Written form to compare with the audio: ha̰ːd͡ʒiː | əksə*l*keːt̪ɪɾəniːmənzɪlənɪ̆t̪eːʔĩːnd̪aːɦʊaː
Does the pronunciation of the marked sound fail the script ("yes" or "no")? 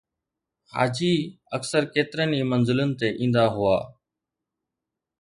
yes